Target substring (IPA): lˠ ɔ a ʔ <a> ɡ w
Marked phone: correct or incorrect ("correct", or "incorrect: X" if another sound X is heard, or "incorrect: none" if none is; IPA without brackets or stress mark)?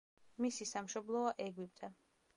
incorrect: ɛ